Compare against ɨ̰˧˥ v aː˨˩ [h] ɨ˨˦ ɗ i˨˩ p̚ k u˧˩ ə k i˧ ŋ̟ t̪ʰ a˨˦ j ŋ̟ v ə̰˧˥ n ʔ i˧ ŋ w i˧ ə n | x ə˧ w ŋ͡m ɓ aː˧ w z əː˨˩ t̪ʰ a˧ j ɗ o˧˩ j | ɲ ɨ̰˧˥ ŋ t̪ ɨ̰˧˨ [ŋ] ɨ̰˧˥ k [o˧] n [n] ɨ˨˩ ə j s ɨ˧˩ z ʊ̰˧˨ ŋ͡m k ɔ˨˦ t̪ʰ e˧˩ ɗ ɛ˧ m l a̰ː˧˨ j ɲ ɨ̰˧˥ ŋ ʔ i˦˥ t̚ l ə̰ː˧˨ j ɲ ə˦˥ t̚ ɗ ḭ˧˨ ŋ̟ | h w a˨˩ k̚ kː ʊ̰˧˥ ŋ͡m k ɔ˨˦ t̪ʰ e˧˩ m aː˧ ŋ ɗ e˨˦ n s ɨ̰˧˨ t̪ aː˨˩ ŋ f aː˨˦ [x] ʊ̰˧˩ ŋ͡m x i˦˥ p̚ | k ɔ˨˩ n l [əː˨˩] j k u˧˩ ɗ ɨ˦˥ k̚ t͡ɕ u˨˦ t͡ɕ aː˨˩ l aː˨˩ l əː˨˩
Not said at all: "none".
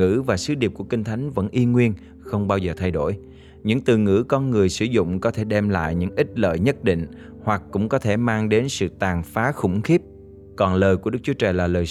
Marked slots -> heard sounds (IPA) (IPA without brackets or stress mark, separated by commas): s, ŋ, ɔ˧, ŋ, x, əː˨˩